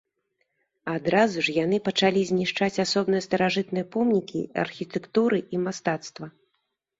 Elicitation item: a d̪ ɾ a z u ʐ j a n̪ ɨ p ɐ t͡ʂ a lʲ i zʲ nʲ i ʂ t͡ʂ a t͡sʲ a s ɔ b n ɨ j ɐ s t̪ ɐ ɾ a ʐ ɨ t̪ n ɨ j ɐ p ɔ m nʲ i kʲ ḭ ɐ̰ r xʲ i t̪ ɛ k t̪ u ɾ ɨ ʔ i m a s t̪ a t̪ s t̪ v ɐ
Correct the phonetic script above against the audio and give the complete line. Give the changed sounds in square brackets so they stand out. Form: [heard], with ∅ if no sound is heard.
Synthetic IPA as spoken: a d̪ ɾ a z u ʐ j a n̪ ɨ p ɐ t͡ʂ a lʲ i zʲ nʲ i ʂ t͡ʂ a t͡sʲ a s ɔ b n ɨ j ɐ s t̪ ɐ ɾ a ʐ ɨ t̪ n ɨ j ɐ p ɔ m nʲ i kʲ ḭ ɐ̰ r xʲ i t̪ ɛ k t̪ u ɾ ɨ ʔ i m a s t̪ a t̪ s t̪ v ɐ